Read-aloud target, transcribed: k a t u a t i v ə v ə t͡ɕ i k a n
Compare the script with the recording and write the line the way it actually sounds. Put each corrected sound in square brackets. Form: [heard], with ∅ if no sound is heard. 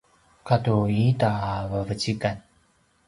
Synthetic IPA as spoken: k a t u [i] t [a] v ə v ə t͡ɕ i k a n